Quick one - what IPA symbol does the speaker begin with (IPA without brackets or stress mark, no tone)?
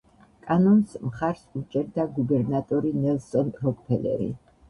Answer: kʼ